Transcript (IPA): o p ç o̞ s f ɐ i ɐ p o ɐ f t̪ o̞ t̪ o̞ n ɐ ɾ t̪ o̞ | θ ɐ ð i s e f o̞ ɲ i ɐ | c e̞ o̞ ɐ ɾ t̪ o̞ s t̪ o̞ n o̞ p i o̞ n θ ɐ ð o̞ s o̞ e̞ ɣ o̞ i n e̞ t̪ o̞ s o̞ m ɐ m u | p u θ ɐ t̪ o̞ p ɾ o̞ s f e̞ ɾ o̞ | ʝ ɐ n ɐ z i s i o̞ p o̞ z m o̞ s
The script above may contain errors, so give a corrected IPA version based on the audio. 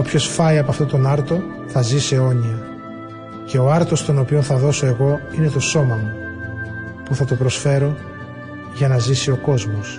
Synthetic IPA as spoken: o p ç o̞ s f ɐ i ɐ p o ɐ f t̪ o̞ t̪ o̞ n ɐ ɾ t̪ o̞ | θ ɐ z i s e o̞ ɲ i ɐ | c e̞ o̞ ɐ ɾ t̪ o̞ s t̪ o̞ n o̞ p i o̞ n θ ɐ ð o̞ s o̞ e̞ ɣ o̞ i n e̞ t̪ o̞ s o̞ m ɐ m u | p u θ ɐ t̪ o̞ p ɾ o̞ s f e̞ ɾ o̞ | ʝ ɐ n ɐ z i s i o̞ k o̞ z m o̞ s